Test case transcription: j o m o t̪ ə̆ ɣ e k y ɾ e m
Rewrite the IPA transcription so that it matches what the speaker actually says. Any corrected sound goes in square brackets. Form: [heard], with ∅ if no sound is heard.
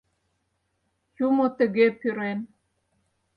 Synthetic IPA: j [u] m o t̪ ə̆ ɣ e [p] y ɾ e [n]